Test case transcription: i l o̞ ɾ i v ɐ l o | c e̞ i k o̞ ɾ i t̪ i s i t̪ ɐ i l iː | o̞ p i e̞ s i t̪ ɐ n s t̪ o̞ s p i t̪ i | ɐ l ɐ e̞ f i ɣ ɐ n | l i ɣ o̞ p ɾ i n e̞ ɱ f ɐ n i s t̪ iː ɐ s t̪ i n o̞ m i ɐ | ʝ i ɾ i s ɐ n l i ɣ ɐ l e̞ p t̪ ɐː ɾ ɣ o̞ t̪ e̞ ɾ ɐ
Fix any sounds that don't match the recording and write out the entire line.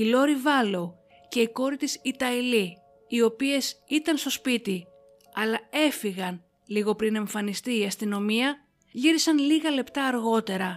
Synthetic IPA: i l o̞ ɾ i v ɐ l o | c e̞ i k o̞ ɾ i t̪ i s i t̪ ɐ i l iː | o̞ p i e̞ s i t̪ ɐ n s t̪ o̞ s p i t̪ i | ɐ l ɐ e̞ f i ɣ ɐ n | l i ɣ o̞ p ɾ i n e̞ ɱ f ɐ n i s t̪ iː ɐ s t̪ i n o̞ m i ɐ | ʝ i ɾ i s ɐ n l i ɣ ɐ l e̞ p t̪ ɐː ɾ ɣ o̞ t̪ e̞ ɾ ɐ